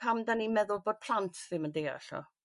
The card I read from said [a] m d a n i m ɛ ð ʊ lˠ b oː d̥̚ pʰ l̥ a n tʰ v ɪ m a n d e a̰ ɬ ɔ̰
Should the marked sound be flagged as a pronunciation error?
no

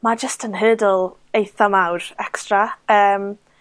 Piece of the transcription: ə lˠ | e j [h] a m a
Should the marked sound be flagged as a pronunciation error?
yes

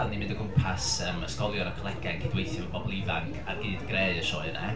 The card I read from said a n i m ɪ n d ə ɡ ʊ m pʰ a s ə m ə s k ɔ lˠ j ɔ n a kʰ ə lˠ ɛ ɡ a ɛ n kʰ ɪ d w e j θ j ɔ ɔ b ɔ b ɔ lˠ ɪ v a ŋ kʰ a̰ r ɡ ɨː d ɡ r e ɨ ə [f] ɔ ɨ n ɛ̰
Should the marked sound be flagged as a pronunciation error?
yes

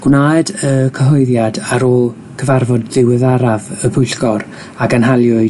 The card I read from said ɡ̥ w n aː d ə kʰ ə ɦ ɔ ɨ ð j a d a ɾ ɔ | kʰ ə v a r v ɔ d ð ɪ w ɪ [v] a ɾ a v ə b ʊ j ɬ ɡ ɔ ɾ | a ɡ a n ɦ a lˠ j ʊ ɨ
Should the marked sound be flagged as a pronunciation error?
yes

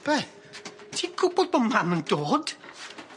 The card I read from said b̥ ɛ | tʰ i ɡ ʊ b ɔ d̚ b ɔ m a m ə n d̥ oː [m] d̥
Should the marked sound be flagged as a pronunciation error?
yes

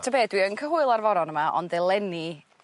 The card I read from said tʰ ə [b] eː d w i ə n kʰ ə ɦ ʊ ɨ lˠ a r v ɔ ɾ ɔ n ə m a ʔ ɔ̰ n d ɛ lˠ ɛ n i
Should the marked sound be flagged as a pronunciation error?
no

